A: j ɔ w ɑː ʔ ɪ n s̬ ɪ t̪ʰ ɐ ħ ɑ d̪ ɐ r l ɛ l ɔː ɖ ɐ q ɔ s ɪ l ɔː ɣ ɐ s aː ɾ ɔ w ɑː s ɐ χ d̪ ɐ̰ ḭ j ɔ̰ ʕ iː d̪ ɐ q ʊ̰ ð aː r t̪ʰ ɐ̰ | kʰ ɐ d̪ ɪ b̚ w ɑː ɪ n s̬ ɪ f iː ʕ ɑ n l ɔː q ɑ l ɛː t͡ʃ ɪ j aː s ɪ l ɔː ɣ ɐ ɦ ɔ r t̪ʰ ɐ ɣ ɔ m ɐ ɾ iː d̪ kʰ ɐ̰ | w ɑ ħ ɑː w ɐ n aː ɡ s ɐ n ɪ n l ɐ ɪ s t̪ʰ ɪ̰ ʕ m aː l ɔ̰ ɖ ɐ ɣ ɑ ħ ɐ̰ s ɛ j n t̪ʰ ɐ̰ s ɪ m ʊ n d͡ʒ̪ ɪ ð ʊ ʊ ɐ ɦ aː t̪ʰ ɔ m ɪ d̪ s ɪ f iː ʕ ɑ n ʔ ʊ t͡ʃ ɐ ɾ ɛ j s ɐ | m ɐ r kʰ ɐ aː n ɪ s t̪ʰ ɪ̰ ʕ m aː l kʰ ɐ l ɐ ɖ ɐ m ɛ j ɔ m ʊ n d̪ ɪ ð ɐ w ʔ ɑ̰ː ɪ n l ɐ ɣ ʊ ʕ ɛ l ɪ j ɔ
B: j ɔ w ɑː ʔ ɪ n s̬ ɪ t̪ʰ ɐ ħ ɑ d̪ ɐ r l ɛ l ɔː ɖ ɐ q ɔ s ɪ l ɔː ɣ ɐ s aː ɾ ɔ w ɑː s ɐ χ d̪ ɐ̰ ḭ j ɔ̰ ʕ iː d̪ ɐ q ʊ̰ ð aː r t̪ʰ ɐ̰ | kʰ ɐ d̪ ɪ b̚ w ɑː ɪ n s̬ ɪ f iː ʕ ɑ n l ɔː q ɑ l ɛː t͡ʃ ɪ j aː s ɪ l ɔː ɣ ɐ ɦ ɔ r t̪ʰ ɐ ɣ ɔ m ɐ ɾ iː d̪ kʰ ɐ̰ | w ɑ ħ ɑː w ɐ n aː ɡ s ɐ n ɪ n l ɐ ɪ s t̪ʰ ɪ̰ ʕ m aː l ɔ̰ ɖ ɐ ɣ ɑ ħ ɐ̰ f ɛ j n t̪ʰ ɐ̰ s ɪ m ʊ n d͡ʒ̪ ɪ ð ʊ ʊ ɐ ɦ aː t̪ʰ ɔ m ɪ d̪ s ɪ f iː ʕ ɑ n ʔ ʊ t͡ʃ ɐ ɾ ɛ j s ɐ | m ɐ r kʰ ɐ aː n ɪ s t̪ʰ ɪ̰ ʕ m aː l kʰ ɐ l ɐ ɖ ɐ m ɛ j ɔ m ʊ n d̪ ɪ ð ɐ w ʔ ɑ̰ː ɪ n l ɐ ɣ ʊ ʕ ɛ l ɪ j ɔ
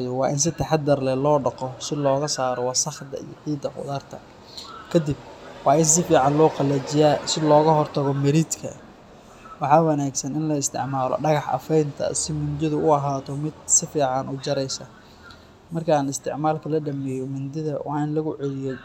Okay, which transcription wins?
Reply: B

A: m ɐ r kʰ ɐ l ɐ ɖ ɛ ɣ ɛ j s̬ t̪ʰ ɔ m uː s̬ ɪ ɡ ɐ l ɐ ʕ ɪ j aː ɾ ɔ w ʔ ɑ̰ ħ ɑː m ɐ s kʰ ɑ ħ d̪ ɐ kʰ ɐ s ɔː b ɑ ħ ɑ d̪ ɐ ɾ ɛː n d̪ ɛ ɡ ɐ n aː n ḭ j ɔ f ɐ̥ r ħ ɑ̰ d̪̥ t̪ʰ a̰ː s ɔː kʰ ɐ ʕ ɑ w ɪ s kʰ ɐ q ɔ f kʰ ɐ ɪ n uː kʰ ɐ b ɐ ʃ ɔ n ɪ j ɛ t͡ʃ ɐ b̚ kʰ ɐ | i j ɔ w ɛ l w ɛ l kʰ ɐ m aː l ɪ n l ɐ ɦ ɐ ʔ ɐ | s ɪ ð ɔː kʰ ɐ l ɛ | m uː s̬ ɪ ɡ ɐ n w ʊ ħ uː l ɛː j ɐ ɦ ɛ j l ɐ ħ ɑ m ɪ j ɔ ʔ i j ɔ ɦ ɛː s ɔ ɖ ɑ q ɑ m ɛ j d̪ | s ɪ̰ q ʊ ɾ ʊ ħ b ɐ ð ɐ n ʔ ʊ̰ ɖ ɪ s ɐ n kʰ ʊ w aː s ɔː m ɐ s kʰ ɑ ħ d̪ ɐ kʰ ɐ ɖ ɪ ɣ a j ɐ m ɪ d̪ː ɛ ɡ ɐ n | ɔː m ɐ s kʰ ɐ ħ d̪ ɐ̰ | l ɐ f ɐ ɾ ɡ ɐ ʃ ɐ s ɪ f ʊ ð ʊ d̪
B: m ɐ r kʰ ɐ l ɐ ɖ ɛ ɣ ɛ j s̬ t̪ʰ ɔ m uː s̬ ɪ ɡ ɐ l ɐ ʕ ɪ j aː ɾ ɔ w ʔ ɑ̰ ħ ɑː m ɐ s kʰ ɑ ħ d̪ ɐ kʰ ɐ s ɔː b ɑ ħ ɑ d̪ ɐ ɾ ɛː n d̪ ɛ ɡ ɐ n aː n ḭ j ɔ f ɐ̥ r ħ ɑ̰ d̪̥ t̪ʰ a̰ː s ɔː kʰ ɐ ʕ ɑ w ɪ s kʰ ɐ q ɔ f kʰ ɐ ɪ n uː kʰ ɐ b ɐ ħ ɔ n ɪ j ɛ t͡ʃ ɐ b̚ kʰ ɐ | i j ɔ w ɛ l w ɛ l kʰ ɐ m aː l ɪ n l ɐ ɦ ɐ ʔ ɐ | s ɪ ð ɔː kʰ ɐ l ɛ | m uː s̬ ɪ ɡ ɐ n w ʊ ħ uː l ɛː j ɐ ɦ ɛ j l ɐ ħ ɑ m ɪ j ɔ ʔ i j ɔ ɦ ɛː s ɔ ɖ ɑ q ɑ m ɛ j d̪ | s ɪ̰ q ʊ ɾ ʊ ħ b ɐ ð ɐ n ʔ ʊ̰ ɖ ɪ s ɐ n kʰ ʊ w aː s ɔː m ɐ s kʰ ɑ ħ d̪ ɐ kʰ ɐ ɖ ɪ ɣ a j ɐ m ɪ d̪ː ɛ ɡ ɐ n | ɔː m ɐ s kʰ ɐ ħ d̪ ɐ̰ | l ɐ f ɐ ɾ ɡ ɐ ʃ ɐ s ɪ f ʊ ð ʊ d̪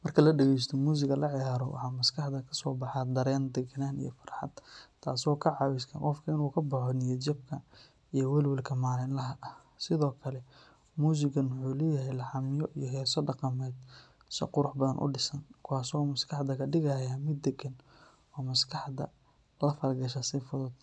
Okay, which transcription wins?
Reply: B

